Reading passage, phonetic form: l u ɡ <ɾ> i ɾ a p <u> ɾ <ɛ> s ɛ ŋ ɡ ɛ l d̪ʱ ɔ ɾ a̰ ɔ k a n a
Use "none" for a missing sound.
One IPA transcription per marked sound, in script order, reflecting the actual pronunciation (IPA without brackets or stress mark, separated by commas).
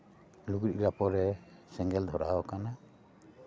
ɾ, ɔ, ɛ